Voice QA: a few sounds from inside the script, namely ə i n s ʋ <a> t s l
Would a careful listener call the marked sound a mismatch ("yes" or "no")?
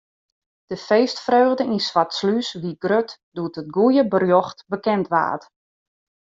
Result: no